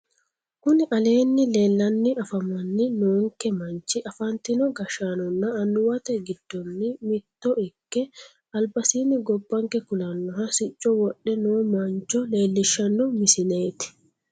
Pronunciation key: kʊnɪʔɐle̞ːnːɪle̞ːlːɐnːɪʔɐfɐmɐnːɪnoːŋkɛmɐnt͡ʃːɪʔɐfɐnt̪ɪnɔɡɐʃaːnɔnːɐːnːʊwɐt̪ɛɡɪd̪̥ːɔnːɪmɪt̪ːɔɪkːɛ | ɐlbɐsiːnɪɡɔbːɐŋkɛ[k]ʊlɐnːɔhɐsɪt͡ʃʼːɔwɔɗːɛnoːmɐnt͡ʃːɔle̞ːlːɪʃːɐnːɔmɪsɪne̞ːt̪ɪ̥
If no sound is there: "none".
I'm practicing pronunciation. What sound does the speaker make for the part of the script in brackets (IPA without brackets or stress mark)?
k